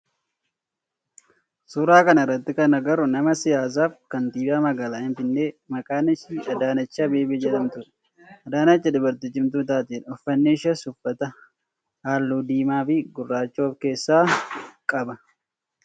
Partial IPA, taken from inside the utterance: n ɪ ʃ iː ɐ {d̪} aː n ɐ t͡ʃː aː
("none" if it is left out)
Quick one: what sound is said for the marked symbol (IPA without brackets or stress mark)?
d̪